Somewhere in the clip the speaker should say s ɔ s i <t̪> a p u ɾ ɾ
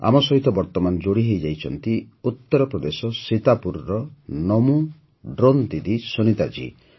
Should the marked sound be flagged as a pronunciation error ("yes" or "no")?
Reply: no